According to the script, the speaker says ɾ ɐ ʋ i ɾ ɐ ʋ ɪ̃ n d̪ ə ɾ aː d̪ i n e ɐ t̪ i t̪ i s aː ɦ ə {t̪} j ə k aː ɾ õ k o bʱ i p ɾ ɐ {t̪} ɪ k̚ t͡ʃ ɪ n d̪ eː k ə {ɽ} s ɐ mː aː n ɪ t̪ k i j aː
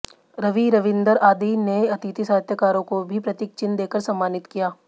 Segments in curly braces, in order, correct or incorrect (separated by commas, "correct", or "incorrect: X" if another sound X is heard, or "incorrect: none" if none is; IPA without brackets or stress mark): correct, correct, incorrect: ɾ